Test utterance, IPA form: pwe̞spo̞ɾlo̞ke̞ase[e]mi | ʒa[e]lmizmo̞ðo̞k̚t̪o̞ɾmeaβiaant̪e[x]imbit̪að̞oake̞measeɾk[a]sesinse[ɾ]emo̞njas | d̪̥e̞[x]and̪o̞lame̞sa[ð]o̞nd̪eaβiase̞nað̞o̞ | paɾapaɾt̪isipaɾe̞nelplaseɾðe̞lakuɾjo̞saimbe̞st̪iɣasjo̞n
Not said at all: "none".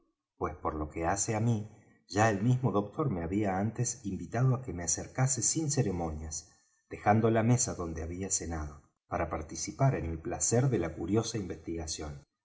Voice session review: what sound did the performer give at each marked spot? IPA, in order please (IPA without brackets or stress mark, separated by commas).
a, e, s, a, ɾ, x, ð